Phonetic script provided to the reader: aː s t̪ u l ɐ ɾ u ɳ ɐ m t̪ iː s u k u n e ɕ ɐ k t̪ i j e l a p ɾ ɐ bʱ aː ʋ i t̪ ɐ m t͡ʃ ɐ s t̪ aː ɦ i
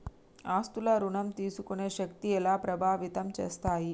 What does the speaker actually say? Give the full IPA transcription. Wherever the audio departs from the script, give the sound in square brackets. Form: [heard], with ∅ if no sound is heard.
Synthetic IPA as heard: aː s t̪ u l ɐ ɾ u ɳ ɐ m t̪ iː s u k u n e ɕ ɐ k t̪ i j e l a p ɾ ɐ bʱ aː ʋ i t̪ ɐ m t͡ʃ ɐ s t̪ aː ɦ i